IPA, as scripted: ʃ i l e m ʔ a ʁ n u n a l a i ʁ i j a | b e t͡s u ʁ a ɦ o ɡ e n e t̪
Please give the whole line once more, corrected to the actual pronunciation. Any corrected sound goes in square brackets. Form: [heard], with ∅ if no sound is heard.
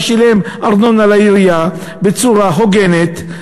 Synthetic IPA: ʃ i l e m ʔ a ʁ n [o] n a l a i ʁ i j a | b e t͡s u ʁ a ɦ o ɡ e n e t̪